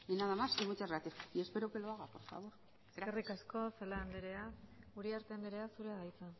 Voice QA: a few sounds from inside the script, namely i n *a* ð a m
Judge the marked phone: correct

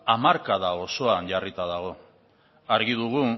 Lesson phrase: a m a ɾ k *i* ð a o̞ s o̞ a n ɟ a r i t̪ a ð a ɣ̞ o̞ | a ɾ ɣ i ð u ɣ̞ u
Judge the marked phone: incorrect: a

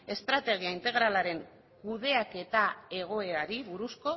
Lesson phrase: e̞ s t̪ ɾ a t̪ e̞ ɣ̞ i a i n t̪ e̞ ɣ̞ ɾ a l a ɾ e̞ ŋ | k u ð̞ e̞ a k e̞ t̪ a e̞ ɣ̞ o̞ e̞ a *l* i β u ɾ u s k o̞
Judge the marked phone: incorrect: ɾ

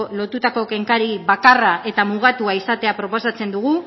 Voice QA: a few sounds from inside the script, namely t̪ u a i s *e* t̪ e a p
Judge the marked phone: incorrect: a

